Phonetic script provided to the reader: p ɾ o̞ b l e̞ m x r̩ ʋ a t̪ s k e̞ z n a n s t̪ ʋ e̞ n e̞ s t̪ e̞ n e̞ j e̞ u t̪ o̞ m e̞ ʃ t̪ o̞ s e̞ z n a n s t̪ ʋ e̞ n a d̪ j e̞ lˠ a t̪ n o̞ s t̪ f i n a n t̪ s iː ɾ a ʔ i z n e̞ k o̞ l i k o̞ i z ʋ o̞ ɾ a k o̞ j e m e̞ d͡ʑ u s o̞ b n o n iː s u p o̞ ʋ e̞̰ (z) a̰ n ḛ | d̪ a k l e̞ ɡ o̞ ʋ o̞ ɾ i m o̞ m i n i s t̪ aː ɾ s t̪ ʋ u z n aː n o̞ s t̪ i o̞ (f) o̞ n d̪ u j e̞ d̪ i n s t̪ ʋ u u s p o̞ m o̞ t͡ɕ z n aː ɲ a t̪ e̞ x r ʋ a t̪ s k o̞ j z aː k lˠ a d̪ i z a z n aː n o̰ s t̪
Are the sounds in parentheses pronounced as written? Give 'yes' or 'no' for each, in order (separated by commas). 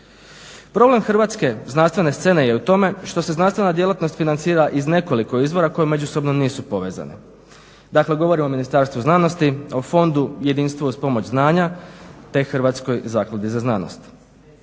yes, yes